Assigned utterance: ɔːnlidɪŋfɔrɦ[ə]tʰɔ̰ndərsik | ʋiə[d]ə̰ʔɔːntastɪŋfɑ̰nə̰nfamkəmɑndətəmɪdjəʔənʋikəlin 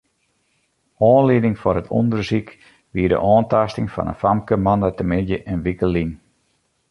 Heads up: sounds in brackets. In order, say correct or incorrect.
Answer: correct, correct

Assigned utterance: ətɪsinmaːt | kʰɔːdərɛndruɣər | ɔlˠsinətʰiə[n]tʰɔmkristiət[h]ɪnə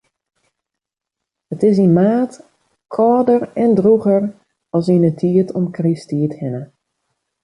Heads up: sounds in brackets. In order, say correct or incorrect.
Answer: incorrect: none, correct

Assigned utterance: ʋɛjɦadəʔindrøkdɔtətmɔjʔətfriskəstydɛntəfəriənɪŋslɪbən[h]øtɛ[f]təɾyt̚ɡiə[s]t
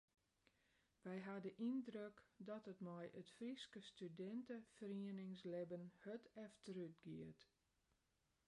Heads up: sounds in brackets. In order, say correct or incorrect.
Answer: correct, correct, incorrect: none

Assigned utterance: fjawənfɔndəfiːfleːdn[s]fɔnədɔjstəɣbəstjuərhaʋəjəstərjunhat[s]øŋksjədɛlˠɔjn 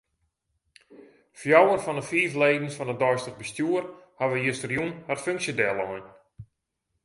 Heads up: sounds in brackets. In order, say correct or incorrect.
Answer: correct, incorrect: f

